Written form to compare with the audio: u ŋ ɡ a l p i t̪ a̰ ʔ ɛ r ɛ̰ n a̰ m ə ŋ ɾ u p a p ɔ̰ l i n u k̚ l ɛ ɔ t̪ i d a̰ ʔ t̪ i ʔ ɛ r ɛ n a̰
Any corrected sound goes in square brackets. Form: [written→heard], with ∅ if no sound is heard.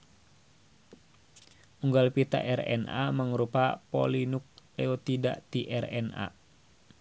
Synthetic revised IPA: u ŋ ɡ a l p i t̪ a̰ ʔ ɛ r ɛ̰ n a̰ m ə ŋ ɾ u p a p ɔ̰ l i n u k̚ l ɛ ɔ t̪ i d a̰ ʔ t̪ i ʔ ɛ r ɛ n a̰

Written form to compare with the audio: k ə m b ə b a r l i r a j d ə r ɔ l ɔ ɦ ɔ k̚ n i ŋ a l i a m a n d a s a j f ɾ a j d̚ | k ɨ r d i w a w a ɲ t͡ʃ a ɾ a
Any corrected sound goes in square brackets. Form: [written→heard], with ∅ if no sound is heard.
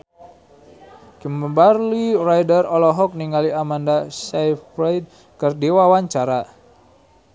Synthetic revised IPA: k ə m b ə b a r l i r a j d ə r ɔ l ɔ ɦ ɔ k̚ n i ŋ a l i a m a n d a s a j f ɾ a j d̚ | k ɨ r d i w a w a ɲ t͡ʃ a ɾ a

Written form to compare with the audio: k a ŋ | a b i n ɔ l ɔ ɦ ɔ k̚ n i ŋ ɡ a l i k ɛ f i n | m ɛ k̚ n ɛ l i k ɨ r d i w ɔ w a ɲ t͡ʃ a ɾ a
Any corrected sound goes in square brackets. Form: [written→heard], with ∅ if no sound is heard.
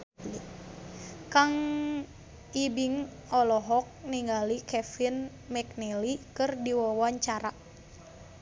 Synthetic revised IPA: k a ŋ | [a→i] b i [n→ŋ] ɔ l ɔ ɦ ɔ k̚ n i ŋ ɡ a l i k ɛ f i n | m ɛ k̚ n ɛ l i k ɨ r d i w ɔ w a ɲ t͡ʃ a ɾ a

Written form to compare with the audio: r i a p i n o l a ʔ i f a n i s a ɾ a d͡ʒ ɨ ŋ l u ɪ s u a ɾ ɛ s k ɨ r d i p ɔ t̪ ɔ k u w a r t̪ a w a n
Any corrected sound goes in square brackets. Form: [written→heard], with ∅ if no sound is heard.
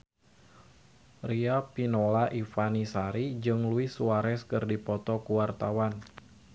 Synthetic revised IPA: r i a p i n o l a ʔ i f a n i s a ɾ [a→i] d͡ʒ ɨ ŋ l u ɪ s u a ɾ ɛ s k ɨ r d i p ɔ t̪ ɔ k u w a r t̪ a w a n

